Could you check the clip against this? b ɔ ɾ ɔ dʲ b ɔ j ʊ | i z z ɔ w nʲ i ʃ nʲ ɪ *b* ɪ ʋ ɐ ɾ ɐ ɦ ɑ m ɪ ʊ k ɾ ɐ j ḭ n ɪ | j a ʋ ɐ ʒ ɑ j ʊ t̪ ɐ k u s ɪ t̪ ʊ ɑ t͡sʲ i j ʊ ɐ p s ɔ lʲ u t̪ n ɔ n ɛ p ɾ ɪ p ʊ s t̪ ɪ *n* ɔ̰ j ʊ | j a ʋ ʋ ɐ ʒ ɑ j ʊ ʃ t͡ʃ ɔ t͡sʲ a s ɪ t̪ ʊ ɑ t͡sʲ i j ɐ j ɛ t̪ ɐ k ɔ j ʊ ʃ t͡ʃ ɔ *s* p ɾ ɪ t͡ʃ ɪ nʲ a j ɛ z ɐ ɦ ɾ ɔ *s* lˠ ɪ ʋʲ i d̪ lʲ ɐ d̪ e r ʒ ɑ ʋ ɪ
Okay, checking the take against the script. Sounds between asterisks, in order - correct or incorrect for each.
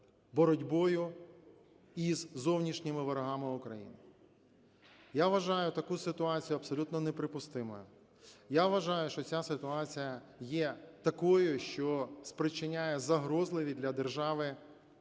incorrect, incorrect, correct, incorrect

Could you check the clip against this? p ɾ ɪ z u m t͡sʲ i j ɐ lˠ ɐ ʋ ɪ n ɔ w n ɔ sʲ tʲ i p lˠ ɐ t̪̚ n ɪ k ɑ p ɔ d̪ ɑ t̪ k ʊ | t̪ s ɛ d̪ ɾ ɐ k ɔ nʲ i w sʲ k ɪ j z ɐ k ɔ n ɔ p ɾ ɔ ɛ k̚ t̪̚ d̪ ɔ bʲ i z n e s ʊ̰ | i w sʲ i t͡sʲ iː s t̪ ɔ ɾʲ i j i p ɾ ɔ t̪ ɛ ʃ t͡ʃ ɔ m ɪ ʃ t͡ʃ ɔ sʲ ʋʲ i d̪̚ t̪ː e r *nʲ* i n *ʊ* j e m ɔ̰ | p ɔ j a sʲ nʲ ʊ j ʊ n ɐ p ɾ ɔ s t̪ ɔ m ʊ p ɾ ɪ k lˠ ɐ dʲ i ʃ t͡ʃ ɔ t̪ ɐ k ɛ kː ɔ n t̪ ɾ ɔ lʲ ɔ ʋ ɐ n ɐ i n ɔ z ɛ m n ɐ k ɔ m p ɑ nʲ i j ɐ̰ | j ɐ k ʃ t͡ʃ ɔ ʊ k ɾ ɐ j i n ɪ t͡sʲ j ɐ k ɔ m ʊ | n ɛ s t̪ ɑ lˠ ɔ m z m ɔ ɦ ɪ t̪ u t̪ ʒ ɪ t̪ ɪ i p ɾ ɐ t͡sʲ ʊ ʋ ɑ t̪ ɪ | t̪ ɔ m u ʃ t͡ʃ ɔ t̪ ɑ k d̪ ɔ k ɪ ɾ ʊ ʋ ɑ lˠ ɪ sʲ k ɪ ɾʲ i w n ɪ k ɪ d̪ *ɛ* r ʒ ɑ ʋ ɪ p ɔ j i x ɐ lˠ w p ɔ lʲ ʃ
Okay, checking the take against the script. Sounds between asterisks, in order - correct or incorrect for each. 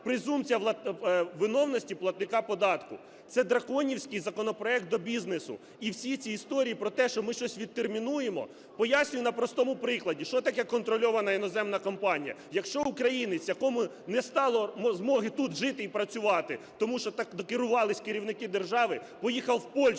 incorrect, incorrect, incorrect

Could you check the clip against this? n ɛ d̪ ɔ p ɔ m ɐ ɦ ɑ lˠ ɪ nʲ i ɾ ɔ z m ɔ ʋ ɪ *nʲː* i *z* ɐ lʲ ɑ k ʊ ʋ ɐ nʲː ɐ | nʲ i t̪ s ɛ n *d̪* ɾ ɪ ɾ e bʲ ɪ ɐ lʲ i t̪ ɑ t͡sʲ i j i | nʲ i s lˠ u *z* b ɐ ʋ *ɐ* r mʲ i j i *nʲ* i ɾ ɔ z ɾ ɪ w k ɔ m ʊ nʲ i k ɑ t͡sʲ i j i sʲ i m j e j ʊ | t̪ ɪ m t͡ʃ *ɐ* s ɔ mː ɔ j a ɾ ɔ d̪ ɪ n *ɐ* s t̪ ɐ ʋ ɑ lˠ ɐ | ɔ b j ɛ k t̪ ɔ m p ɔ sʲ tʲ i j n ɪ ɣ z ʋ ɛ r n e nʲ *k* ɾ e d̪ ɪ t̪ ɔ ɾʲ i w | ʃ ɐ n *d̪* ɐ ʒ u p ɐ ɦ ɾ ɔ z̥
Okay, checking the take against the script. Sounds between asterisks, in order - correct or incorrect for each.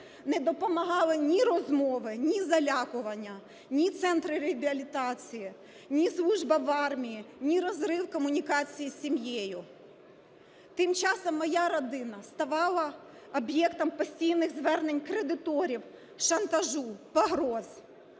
incorrect, correct, incorrect, incorrect, incorrect, correct, incorrect, correct, correct, incorrect

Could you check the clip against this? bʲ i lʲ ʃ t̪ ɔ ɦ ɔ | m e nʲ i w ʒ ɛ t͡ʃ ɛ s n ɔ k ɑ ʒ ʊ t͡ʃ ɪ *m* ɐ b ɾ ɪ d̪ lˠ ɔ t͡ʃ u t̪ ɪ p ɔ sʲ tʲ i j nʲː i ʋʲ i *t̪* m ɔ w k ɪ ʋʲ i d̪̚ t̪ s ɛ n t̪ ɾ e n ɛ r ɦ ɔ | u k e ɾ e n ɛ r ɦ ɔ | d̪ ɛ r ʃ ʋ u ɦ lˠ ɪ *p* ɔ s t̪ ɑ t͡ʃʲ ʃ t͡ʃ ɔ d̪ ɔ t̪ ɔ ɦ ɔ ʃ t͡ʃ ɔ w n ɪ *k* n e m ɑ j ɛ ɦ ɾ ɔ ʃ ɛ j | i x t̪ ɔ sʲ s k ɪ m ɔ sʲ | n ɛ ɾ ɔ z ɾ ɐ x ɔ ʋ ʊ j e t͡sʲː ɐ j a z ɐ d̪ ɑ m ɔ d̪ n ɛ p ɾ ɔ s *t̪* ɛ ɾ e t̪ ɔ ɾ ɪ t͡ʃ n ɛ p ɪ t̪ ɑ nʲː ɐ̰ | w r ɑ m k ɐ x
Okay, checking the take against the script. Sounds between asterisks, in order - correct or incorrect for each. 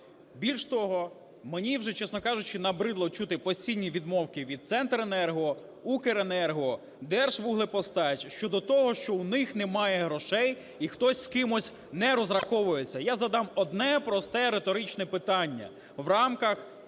incorrect, incorrect, correct, incorrect, correct

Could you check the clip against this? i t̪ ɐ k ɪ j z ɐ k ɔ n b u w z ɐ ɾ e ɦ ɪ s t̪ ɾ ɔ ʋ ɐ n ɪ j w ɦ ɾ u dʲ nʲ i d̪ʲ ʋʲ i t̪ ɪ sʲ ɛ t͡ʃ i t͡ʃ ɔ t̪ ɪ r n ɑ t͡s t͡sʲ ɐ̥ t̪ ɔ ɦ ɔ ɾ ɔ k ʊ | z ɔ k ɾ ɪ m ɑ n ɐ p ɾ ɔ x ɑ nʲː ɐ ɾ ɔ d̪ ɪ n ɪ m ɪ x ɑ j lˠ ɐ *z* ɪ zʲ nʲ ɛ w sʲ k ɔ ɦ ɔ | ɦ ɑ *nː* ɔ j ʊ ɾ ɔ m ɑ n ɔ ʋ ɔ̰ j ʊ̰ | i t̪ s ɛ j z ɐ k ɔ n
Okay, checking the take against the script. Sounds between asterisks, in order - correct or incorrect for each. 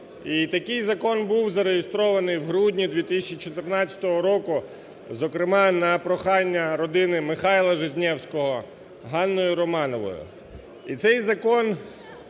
incorrect, correct

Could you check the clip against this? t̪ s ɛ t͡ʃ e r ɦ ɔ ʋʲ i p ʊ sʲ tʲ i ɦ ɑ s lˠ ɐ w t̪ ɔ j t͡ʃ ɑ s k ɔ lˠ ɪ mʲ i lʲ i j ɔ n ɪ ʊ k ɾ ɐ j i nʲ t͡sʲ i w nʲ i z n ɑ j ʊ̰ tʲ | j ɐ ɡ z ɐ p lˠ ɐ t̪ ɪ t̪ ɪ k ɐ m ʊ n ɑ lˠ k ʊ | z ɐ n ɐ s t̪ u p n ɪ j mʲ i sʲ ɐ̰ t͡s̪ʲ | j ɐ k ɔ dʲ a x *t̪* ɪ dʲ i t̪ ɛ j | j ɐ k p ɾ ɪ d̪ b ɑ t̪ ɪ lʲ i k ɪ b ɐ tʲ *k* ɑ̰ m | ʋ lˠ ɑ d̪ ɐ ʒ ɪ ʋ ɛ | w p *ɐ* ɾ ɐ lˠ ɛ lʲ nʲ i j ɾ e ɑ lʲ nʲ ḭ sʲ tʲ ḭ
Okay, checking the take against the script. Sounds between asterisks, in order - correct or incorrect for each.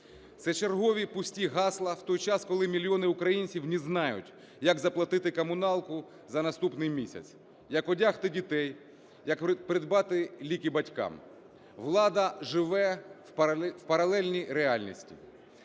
correct, correct, correct

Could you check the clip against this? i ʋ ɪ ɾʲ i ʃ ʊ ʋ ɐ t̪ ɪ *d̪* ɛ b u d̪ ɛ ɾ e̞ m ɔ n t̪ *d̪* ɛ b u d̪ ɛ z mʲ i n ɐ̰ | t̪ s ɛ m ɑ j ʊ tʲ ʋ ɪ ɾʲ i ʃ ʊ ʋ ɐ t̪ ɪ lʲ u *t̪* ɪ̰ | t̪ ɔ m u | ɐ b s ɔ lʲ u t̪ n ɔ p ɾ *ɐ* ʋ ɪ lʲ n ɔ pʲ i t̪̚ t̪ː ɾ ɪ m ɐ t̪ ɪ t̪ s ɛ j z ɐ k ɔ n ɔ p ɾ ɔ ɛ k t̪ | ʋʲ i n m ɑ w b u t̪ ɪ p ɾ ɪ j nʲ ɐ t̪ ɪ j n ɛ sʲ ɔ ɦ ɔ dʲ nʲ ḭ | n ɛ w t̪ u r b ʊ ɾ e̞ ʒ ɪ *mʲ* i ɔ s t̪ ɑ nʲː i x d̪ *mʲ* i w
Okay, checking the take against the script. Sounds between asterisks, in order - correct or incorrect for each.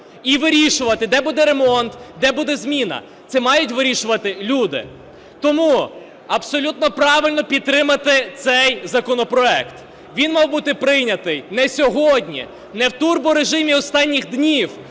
correct, correct, incorrect, incorrect, correct, incorrect

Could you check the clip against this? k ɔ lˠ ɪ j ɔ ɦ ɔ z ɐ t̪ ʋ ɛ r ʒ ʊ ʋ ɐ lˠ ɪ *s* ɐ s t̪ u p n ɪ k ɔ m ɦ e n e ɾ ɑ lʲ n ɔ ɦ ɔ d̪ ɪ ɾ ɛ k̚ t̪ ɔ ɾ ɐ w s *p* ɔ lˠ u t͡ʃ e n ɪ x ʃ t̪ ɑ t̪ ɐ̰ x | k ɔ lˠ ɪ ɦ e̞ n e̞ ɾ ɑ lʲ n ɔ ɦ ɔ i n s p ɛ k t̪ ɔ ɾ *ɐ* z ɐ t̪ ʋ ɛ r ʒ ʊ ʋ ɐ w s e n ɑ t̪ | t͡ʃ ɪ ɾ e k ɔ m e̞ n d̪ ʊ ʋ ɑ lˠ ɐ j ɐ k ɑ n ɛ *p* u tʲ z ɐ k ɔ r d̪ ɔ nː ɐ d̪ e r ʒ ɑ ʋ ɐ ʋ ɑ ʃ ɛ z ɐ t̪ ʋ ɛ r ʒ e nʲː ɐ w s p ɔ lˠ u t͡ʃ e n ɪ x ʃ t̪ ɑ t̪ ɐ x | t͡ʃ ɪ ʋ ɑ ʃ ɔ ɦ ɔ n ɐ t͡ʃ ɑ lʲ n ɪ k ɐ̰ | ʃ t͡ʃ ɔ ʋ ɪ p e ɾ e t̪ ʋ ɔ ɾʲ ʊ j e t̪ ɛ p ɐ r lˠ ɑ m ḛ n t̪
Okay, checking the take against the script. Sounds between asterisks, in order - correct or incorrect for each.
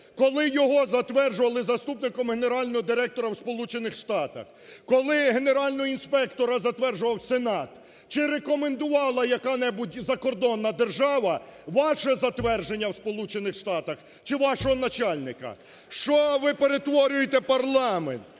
incorrect, correct, correct, incorrect

